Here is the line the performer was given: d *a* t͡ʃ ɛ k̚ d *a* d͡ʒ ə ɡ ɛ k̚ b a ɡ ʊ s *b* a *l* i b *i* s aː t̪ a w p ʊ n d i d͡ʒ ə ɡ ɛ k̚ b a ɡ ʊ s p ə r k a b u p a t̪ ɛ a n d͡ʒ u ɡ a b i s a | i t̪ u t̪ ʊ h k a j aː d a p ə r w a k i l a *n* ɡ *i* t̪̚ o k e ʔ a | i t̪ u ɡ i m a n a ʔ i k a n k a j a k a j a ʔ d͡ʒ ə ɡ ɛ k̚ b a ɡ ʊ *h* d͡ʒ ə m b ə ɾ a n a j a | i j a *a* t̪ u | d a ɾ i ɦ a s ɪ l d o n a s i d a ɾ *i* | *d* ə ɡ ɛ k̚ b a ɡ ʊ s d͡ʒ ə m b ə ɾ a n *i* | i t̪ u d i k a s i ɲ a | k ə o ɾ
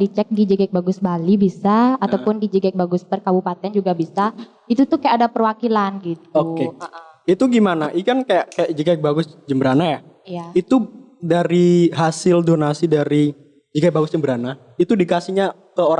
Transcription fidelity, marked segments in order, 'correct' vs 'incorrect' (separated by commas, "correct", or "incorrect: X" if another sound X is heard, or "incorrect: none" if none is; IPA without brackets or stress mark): incorrect: i, incorrect: i, correct, correct, correct, correct, correct, incorrect: s, incorrect: i, correct, incorrect: d͡ʒ, incorrect: a